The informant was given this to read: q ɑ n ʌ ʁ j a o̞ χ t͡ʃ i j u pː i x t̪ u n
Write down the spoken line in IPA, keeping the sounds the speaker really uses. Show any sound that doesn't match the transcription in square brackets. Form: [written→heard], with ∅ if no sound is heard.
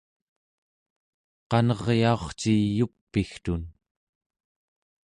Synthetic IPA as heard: q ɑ n ʌ ʁ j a o̞ χ t͡ʃ i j u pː i x t̪ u n